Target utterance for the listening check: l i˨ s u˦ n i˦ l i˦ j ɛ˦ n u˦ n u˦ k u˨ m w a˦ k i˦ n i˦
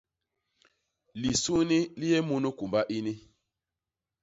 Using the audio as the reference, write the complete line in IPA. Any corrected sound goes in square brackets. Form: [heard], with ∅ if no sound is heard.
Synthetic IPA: l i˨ s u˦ n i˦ l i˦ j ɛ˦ [m] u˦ n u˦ k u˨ m [b] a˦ [ʔ] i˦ n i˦